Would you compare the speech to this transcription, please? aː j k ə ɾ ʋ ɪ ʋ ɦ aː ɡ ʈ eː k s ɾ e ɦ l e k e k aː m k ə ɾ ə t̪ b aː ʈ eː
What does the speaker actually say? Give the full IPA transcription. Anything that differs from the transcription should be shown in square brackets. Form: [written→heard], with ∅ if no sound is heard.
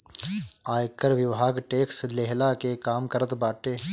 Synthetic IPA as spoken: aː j k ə ɾ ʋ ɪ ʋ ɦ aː ɡ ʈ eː k s [ɾ→l] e ɦ l [e→a] k e k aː m k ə ɾ ə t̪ b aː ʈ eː